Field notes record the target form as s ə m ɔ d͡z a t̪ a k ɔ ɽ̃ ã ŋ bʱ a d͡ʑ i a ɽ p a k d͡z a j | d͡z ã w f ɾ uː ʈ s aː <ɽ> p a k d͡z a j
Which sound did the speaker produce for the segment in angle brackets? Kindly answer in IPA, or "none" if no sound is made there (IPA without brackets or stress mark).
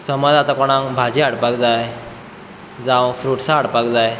ɽ